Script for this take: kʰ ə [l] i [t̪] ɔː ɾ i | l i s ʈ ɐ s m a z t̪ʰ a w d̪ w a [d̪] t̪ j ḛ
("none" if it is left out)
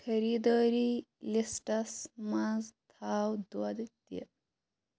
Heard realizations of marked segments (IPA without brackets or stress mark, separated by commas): ɾ, d̪, d̪